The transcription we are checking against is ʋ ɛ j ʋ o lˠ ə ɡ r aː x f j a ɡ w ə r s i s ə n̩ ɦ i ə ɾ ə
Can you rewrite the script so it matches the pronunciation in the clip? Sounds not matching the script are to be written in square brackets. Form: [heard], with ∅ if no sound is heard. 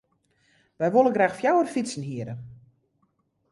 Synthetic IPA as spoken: ʋ ɛ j ʋ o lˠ ə ɡ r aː x f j a [∅] w ə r [f] i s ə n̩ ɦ i ə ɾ ə